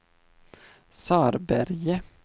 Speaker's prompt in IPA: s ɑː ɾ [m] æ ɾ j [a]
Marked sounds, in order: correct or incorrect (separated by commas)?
incorrect, incorrect